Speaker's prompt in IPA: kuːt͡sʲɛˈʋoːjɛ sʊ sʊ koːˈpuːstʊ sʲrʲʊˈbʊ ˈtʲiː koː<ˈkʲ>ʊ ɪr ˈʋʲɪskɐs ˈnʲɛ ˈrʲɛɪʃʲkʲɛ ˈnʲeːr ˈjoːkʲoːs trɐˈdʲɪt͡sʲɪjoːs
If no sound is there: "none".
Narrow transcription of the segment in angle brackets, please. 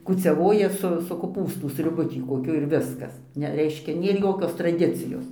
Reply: kʲ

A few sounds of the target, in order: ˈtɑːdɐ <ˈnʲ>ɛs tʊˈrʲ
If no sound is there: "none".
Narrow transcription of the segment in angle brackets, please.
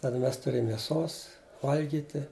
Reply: mʲ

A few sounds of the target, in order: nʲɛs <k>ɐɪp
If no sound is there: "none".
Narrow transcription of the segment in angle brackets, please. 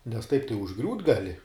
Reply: t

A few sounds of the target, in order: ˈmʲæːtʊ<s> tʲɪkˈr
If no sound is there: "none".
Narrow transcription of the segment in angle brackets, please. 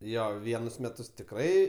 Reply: s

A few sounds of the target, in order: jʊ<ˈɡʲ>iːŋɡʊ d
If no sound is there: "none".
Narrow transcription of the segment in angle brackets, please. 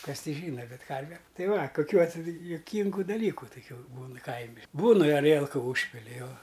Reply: kʲ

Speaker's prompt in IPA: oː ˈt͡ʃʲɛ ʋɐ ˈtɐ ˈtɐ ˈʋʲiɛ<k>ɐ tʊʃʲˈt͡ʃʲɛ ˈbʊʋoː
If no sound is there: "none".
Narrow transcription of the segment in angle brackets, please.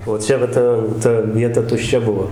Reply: t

